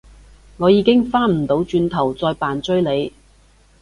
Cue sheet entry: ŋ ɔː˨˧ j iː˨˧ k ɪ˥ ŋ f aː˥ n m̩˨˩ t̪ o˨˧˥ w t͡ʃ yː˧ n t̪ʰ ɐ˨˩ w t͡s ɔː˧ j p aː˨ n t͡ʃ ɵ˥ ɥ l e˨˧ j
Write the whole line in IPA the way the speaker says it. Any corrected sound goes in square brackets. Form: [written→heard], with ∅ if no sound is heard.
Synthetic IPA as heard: ŋ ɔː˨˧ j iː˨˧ k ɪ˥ ŋ f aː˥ n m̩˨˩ t̪ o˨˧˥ w t͡ʃ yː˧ n t̪ʰ ɐ˨˩ w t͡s ɔː˧ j p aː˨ n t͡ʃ ɵ˥ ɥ l e˨˧ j